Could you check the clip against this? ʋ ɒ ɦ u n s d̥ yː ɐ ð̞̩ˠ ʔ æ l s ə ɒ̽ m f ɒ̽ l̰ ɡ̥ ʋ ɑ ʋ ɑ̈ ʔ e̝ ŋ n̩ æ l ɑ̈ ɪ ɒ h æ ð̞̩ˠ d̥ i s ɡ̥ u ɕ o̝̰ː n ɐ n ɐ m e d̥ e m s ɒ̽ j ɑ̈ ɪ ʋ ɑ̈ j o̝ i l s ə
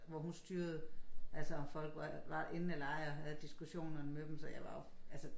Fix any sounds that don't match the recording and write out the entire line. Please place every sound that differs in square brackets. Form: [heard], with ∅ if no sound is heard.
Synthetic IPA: ʋ ɒ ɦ u n s d̥ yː ɐ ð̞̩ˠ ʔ æ l s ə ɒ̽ m f ɒ̽ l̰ ɡ̥ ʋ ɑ ʋ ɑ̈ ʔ e̝ [n] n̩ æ l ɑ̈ ɪ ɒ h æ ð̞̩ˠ d̥ i s ɡ̥ u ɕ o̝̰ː n ɐ n [ə] m e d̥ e m s ɒ̽ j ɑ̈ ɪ ʋ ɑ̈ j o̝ [æ] l s ə

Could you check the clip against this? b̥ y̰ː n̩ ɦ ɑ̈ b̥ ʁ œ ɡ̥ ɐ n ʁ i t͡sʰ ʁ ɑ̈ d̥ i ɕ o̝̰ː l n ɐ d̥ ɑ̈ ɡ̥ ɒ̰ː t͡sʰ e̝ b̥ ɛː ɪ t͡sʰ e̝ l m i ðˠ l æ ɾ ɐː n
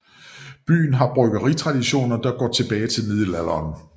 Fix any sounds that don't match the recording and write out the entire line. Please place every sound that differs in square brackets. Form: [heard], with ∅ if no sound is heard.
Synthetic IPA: b̥ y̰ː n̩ ɦ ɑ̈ b̥ ʁ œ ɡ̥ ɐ [∅] ʁ i t͡sʰ ʁ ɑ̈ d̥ i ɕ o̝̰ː [∅] n ɐ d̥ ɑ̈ ɡ̥ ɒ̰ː t͡sʰ e̝ b̥ ɛː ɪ t͡sʰ e̝ l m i ðˠ l æ [l] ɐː n

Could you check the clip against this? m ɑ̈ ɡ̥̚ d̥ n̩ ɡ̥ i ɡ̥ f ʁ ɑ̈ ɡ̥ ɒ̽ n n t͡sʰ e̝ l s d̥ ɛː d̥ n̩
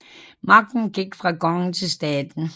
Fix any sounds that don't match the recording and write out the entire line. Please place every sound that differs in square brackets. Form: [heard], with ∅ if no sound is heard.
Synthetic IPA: m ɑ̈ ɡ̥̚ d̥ n̩ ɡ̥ i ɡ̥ f ʁ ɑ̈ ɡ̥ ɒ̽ [ŋ] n t͡sʰ e̝ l s d̥ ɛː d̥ n̩

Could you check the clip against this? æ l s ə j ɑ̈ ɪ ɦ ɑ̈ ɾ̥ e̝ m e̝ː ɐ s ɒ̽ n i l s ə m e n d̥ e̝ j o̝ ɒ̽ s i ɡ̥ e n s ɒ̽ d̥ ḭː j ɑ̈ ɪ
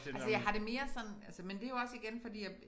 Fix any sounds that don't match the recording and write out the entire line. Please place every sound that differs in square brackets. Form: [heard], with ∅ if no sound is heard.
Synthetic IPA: æ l s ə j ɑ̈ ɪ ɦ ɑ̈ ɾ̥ e̝ m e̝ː ɐ s ɒ̽ n [æ] l s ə m e n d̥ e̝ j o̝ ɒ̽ s i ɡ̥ e n [f] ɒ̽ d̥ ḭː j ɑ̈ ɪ

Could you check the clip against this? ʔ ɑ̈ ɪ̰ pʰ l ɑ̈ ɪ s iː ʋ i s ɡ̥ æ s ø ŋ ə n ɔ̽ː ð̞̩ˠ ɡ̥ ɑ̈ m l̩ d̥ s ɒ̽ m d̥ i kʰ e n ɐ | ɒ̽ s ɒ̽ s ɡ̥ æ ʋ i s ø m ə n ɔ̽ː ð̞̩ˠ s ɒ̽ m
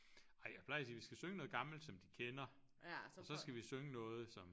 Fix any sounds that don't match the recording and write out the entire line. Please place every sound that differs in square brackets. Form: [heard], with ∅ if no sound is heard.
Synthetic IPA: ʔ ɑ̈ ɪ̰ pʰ l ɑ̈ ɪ s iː ʋ i s ɡ̥ æ s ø ŋ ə n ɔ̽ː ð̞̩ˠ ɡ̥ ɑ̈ m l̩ d̥ s ɒ̽ m d̥ i kʰ e n ɐ | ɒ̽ s ɒ̽ s ɡ̥ æ ʋ i s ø [ŋ] ə n ɔ̽ː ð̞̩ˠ s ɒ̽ m

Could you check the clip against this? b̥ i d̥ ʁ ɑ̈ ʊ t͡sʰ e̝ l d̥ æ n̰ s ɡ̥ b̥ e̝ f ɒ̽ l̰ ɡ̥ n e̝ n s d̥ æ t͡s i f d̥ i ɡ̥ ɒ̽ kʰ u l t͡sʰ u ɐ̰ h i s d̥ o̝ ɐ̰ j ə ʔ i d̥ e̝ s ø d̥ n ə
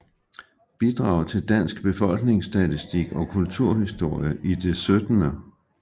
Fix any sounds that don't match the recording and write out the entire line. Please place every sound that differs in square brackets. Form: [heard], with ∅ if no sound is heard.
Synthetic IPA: b̥ i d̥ ʁ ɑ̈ ʊ t͡sʰ e̝ l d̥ æ n̰ s ɡ̥ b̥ e̝ f ɒ̽ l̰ ɡ̥ n e̝ [ŋ] s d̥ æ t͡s i [s] d̥ i ɡ̥ ɒ̽ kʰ u l t͡sʰ u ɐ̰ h i s d̥ o̝ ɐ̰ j ə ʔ i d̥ e̝ s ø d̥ n ə

